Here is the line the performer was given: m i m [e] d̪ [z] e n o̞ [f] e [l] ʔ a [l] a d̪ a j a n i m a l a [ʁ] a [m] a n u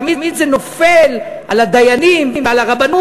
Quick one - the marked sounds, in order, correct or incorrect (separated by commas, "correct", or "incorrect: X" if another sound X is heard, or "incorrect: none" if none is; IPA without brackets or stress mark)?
incorrect: i, correct, correct, correct, correct, correct, incorrect: b